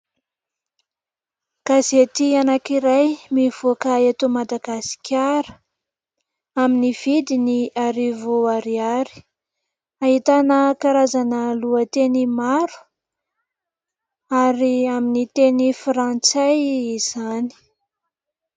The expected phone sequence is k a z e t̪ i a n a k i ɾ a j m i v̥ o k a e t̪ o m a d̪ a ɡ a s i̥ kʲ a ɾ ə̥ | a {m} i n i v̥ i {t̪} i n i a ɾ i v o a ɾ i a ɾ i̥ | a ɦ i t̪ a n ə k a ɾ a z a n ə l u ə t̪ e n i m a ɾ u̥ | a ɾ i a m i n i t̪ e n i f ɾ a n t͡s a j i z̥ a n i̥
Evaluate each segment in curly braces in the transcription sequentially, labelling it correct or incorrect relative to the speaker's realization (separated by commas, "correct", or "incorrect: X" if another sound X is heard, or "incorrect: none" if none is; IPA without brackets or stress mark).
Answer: correct, incorrect: d̪